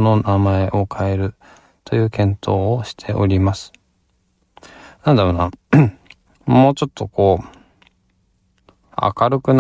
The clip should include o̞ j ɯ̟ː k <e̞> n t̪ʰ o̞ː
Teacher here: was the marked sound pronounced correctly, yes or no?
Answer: no